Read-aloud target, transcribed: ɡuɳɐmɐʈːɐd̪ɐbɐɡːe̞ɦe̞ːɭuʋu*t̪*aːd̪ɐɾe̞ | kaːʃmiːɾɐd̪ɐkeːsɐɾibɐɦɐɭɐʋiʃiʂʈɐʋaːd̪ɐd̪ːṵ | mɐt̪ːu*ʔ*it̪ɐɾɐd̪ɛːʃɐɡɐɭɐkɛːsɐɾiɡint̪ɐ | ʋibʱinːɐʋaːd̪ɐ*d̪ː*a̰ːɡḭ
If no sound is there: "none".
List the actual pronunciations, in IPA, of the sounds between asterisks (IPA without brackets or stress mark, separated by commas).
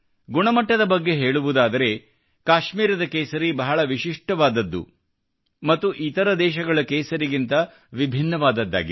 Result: d̪, ʔ, d̪ː